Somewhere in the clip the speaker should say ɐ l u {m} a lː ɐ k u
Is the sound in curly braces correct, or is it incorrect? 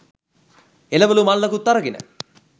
correct